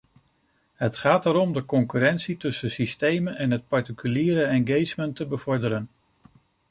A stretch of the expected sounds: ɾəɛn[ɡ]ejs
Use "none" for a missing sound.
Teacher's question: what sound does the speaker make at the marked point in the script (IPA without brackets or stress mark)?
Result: ɡ